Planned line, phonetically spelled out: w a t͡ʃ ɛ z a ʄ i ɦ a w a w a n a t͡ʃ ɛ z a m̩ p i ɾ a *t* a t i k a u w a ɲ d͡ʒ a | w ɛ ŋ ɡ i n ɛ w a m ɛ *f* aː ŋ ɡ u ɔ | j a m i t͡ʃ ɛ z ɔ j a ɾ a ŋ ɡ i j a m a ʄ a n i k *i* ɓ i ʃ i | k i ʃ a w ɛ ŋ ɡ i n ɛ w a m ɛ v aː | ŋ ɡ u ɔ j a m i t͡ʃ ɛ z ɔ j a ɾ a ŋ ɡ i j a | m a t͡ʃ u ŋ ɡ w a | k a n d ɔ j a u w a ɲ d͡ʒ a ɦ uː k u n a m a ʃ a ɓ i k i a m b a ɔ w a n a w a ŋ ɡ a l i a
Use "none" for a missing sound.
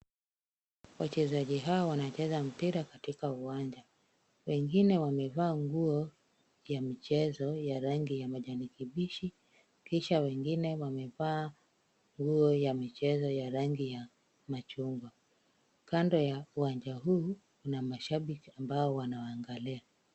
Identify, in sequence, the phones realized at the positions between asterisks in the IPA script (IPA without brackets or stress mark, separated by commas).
k, v, i